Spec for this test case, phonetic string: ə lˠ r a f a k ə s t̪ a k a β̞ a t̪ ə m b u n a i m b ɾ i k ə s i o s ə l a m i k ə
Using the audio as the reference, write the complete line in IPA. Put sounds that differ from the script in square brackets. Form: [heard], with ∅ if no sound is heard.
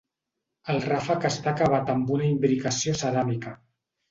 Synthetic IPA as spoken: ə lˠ r a f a k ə s t̪ a k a β̞ a t̪ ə m b u n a i m b ɾ i k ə s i o s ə [ɾ] a m i k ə